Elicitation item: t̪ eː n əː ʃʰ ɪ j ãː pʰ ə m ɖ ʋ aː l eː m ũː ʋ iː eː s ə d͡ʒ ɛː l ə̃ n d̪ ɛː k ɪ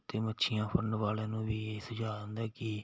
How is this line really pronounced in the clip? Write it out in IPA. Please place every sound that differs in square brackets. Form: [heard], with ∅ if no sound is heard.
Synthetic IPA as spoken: t̪ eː [m] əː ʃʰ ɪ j ãː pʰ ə [ɳ] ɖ ʋ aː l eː [n] ũː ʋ iː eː s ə d͡ʒ [aː] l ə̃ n d̪ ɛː k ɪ